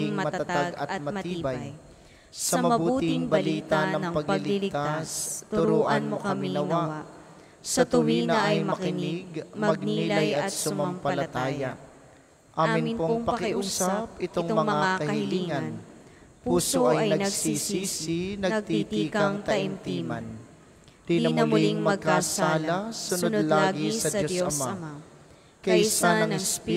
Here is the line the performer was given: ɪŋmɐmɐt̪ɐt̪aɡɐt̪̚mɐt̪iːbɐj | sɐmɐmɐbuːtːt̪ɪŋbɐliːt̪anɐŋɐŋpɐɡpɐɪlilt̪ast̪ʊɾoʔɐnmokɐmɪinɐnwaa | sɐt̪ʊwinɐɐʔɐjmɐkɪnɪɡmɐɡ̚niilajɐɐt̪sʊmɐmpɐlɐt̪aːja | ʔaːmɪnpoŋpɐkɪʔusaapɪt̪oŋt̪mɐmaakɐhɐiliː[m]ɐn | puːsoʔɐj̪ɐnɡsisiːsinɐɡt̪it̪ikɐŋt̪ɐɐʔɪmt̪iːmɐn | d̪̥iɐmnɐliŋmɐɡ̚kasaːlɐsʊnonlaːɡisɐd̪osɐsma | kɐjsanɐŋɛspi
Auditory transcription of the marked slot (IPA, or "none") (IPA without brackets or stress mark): ŋ